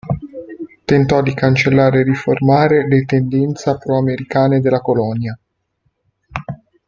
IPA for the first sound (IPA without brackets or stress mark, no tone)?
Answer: t̪